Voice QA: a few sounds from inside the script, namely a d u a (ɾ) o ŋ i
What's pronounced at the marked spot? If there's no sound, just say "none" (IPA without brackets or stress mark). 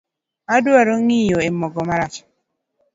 ɾ